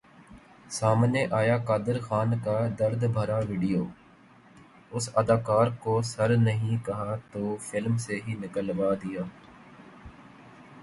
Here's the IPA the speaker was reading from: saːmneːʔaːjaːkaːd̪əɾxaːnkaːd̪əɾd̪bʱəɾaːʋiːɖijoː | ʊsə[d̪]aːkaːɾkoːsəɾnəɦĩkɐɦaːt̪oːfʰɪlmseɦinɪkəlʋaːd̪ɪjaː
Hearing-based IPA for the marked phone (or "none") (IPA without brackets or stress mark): d̪